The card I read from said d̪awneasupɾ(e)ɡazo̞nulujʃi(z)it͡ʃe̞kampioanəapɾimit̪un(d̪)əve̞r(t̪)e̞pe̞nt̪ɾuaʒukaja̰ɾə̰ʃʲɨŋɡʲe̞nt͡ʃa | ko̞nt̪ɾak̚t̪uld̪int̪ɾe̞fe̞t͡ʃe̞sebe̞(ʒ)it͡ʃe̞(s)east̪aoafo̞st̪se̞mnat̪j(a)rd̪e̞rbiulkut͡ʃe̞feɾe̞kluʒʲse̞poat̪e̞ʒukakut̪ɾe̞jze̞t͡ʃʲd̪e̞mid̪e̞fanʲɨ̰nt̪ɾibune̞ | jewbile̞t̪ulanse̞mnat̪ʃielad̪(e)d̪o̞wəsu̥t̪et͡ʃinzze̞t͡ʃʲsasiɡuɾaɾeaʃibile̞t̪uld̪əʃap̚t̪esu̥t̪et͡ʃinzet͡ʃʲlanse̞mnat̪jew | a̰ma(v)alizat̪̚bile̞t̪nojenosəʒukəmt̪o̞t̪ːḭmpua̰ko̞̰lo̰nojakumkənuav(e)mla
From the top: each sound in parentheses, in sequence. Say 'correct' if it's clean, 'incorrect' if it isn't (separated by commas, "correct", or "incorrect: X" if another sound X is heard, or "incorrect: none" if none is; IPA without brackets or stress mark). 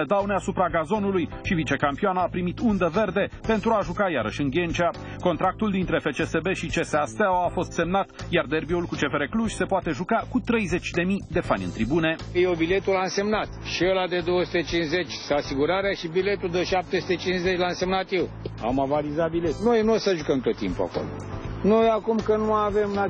incorrect: a, incorrect: v, correct, incorrect: d̪, incorrect: ʃ, correct, correct, correct, correct, correct